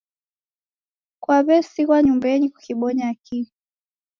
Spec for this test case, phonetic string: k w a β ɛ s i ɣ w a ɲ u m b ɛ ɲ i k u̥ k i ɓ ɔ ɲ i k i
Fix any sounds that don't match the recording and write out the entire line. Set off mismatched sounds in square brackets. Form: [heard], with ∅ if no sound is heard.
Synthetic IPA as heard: k w a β ɛ s i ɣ w a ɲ u m b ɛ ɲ i k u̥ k i ɓ ɔ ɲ [a] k i